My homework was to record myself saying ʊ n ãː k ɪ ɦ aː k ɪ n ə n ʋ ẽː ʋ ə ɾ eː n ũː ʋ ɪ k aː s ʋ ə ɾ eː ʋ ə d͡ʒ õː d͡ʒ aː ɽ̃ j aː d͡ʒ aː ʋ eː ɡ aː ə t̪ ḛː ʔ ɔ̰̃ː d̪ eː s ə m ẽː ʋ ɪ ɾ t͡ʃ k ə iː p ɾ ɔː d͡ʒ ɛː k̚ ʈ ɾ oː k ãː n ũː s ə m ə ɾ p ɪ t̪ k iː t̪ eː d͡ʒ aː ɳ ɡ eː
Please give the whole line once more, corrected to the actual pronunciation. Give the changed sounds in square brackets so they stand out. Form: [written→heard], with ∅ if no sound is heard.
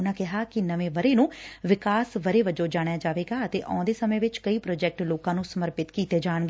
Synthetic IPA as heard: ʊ n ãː k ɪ ɦ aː k ɪ n ə [n→∅] ʋ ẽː ʋ ə ɾ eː n ũː ʋ ɪ k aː s ʋ ə ɾ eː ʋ ə d͡ʒ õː d͡ʒ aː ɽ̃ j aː d͡ʒ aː ʋ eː ɡ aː ə t̪ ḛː ʔ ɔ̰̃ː d̪ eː s ə m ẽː ʋ ɪ [ɾ→∅] t͡ʃ k ə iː p ɾ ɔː d͡ʒ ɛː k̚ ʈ [ɾ→l] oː k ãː n ũː s ə m ə ɾ p ɪ t̪ k iː t̪ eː d͡ʒ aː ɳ ɡ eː